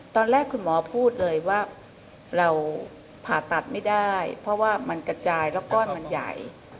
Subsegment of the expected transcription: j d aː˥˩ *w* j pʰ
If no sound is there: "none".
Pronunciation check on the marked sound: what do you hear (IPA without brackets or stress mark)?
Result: none